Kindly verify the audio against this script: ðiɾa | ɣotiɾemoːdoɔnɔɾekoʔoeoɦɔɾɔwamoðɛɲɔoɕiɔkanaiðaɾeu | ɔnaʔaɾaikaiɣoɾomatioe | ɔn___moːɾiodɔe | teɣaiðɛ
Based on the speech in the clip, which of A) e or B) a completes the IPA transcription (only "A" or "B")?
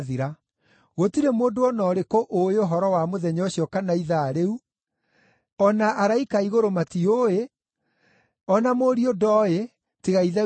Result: B